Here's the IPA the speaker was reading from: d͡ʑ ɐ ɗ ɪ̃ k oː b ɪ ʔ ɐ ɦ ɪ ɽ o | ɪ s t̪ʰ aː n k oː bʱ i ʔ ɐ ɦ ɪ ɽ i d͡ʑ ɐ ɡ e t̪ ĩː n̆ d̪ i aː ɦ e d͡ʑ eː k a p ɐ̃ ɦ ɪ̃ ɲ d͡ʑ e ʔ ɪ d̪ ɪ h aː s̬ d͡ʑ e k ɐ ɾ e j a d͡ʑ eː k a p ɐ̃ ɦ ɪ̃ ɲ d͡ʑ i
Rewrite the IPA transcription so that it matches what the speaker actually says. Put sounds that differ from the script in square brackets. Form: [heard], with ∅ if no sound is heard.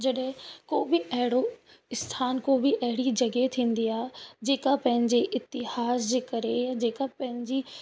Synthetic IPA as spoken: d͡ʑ ɐ ɗ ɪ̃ k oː b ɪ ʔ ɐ ɦ ɪ ɽ o | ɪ s t̪ʰ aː n k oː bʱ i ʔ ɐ ɦ ɪ ɽ i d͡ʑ ɐ ɡ e [t̪ʰ] ĩː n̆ d̪ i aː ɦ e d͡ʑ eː k a p ɐ̃ ɦ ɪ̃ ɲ d͡ʑ e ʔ ɪ [t̪] ɪ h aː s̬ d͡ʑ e k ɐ ɾ e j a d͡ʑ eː k a p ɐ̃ ɦ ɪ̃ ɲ d͡ʑ i

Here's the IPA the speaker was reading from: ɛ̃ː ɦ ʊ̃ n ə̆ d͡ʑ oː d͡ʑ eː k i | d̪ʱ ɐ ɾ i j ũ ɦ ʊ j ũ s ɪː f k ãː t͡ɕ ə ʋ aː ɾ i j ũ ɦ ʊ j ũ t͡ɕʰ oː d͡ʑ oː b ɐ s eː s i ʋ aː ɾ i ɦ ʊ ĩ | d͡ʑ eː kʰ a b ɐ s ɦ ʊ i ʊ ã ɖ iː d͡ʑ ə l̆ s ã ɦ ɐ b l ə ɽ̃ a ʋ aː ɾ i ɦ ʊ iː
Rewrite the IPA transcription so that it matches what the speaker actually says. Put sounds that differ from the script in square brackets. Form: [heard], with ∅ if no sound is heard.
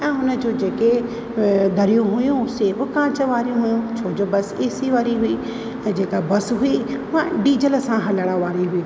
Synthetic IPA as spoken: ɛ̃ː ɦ [ʊ] n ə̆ d͡ʑ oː d͡ʑ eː k [e] | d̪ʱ ɐ ɾ i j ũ ɦ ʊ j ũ s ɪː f k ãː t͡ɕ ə ʋ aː ɾ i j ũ ɦ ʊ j ũ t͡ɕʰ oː d͡ʑ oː b ɐ s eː s i ʋ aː ɾ i ɦ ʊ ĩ | d͡ʑ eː [k] a b ɐ s ɦ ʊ i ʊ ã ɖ iː d͡ʑ ə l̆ s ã ɦ ɐ [∅] l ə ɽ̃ a ʋ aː ɾ i ɦ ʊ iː

